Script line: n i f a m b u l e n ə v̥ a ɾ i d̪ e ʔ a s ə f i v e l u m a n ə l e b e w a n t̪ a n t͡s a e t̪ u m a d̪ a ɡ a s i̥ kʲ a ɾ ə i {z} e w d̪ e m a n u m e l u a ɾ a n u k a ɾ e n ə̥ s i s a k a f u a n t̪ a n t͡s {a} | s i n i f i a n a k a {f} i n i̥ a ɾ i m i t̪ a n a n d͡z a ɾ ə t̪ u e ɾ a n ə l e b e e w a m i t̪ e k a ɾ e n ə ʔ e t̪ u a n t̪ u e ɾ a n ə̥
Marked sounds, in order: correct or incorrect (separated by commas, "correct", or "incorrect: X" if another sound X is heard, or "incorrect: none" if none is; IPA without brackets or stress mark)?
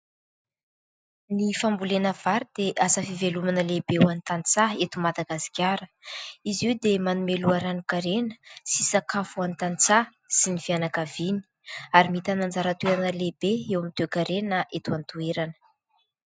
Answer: correct, correct, incorrect: v